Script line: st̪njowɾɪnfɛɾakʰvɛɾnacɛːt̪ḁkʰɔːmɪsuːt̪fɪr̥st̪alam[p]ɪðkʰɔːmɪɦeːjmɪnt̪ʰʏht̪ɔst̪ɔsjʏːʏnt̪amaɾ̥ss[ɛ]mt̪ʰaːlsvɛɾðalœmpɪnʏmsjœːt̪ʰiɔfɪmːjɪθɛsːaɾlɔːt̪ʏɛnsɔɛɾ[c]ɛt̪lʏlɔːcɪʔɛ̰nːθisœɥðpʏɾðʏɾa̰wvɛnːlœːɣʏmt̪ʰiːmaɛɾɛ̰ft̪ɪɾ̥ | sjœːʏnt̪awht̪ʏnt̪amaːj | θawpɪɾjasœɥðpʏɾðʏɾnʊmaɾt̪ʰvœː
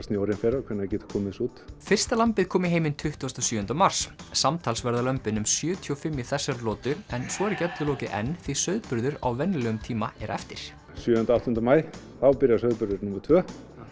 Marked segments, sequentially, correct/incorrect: correct, incorrect, correct

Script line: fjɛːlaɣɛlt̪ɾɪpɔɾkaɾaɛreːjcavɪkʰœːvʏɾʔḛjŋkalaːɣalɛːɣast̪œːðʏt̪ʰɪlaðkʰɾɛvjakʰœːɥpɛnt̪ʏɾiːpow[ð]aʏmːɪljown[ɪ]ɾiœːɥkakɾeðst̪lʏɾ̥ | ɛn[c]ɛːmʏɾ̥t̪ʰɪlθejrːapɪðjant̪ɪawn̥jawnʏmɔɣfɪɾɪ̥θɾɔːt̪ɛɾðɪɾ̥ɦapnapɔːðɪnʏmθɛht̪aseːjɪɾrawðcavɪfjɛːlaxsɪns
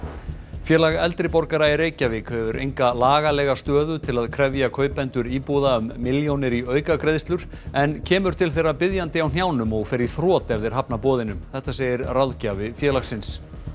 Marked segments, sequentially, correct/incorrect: correct, correct, incorrect

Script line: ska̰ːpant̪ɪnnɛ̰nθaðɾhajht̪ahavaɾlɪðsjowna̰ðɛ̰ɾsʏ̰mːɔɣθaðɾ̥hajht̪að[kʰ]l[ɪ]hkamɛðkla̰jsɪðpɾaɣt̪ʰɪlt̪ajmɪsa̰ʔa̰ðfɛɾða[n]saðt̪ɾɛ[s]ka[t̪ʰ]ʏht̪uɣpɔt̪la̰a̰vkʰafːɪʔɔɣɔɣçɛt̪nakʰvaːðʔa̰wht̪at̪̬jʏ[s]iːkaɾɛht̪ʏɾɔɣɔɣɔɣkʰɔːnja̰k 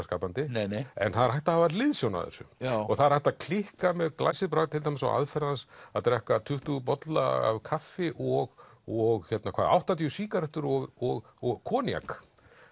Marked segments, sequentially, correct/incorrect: correct, correct, correct, incorrect, correct, correct

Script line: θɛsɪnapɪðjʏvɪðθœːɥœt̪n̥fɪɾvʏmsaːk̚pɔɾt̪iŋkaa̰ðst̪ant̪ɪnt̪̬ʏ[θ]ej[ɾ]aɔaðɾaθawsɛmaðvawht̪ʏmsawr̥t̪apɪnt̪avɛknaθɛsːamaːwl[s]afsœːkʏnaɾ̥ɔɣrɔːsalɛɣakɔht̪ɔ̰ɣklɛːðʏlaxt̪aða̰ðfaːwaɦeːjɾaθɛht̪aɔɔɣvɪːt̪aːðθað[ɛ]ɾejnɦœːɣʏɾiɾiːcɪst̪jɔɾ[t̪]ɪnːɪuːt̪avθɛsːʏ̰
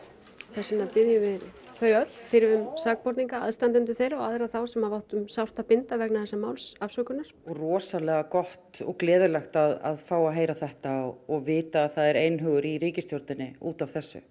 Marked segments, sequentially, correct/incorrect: correct, correct, correct, correct, correct

